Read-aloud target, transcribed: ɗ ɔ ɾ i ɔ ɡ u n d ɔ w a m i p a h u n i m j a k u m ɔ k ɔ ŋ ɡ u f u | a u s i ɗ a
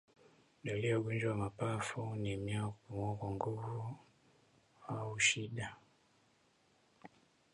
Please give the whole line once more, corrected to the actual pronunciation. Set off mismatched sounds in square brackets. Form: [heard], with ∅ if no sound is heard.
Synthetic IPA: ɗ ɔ [l] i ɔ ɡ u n [d͡ʒ] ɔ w a m [a] p a [f] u n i m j a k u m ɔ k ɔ ŋ ɡ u [v] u | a u [ʃ] i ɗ a